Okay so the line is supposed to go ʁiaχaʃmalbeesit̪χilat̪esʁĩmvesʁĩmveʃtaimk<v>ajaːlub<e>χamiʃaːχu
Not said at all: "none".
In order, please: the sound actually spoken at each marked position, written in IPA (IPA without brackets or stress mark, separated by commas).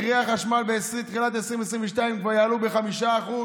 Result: v, e